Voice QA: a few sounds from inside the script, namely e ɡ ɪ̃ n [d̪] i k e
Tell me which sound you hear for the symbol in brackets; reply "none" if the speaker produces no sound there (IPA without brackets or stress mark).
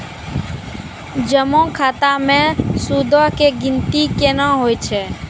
t̪